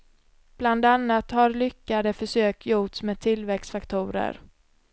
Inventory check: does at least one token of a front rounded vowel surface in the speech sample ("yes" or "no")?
yes